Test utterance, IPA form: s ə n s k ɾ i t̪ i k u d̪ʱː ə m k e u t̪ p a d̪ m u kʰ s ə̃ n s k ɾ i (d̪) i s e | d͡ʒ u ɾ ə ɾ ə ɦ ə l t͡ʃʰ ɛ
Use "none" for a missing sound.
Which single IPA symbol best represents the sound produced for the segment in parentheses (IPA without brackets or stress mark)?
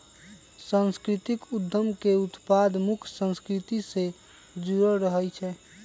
t̪